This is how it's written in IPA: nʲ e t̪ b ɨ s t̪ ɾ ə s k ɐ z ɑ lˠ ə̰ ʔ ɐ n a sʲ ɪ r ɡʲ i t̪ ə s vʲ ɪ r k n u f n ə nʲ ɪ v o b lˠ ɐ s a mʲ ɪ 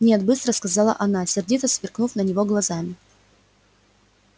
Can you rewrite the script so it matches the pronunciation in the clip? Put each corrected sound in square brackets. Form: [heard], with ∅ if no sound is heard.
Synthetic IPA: nʲ e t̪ b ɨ s t̪ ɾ ə s k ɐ z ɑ lˠ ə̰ ʔ ɐ n a sʲ ɪ r [dʲ] i t̪ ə s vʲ ɪ r k n u f n ə nʲ ɪ v o [ɡ] lˠ ɐ [z] a mʲ ɪ